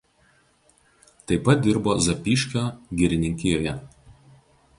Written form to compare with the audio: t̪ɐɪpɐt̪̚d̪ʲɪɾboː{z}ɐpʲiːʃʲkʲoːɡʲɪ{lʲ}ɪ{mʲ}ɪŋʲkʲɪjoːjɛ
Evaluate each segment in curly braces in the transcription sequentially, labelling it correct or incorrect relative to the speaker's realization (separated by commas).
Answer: correct, incorrect, incorrect